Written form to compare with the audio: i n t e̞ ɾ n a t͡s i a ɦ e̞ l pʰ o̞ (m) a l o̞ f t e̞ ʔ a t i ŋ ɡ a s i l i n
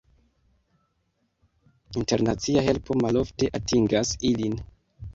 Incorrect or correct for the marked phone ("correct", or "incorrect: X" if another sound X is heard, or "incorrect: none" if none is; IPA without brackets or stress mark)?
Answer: correct